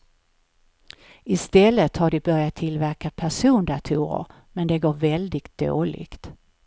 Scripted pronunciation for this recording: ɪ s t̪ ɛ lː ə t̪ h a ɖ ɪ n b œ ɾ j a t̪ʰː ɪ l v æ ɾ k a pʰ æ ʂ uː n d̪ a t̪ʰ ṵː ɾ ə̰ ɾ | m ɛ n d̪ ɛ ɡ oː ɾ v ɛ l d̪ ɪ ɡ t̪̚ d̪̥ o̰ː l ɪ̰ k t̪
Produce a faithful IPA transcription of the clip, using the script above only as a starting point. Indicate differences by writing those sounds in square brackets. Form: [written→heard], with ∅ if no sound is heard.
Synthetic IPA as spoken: ɪ s t̪ ɛ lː ə t̪ h a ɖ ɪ [n→∅] b œ ɾ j a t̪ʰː ɪ l v æ ɾ k a pʰ æ ʂ uː n d̪ a t̪ʰ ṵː ɾ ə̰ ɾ | m ɛ n d̪ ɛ ɡ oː ɾ v ɛ l d̪ ɪ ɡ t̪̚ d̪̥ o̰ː l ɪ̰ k t̪